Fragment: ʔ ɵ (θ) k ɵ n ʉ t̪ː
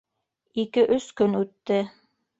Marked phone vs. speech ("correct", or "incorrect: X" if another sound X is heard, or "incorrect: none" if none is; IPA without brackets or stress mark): incorrect: s